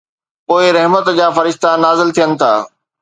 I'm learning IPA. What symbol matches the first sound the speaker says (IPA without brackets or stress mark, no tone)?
p